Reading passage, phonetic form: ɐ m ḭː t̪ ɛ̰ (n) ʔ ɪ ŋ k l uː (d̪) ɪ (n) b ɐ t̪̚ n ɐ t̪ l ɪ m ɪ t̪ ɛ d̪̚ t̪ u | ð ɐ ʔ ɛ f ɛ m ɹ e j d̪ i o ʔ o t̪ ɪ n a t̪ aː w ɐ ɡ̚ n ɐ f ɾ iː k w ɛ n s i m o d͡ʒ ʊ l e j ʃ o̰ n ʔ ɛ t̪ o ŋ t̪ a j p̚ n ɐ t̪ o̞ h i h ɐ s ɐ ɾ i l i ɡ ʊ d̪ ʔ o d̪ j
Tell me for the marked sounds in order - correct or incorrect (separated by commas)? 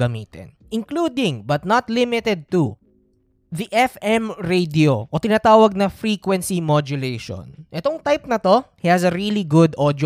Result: correct, correct, incorrect